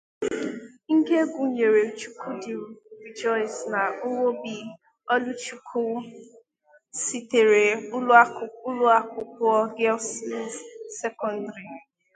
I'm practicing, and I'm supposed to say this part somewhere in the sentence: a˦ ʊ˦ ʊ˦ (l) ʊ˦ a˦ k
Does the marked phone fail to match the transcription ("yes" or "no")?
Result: no